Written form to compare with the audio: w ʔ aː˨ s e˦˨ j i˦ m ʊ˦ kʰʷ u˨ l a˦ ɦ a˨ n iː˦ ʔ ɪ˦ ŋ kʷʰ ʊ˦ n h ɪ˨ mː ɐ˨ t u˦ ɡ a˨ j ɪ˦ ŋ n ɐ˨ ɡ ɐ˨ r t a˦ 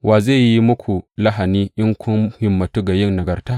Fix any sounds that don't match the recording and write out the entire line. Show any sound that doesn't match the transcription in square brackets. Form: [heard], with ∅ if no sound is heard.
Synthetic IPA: w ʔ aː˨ [z] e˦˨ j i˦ m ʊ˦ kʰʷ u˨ l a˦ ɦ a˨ n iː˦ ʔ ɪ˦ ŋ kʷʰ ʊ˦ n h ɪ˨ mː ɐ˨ t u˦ ɡ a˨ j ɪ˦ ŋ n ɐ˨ ɡ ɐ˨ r t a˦